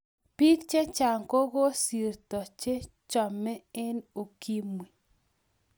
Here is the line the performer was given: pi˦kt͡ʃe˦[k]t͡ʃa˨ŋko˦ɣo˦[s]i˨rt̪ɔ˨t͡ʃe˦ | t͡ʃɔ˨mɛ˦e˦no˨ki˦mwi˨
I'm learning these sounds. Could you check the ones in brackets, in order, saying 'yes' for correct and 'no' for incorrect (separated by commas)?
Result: no, yes